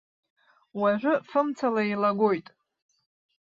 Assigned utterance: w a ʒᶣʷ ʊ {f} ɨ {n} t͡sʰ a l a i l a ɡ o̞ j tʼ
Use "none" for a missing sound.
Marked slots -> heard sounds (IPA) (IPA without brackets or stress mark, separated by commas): f, m